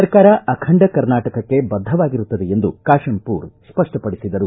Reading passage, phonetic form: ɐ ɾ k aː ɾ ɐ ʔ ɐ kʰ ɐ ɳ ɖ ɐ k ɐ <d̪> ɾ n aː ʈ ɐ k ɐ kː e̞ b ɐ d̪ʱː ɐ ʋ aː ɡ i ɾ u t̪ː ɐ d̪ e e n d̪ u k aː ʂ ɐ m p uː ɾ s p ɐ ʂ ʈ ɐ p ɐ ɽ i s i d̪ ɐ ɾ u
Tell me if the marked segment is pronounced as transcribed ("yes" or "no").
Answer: no